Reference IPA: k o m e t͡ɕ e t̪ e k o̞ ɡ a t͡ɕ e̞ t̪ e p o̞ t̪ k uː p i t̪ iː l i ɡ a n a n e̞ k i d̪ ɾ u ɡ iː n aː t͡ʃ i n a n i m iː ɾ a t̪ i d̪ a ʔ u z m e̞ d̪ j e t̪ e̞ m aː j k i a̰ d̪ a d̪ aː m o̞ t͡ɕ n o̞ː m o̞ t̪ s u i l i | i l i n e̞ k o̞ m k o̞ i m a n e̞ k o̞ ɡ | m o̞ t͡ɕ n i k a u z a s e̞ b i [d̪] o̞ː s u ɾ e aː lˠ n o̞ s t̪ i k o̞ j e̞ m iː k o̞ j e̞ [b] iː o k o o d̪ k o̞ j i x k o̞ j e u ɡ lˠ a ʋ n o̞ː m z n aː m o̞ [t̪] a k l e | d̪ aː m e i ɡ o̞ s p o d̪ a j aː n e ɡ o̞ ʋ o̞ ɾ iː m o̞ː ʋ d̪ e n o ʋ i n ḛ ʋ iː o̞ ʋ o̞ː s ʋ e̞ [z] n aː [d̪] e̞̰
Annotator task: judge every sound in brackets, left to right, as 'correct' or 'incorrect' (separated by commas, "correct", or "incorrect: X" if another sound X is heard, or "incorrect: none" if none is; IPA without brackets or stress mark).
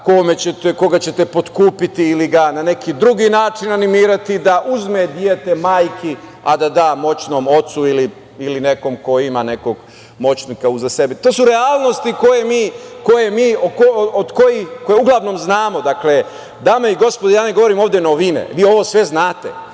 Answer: incorrect: t̪, incorrect: m, incorrect: d̪, correct, incorrect: t̪